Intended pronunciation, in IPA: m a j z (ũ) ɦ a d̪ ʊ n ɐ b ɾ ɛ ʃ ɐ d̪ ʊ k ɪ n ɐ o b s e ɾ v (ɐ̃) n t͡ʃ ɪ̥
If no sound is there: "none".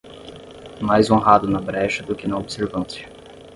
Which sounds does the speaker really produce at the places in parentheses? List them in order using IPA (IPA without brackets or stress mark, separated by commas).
õ, ɐ̃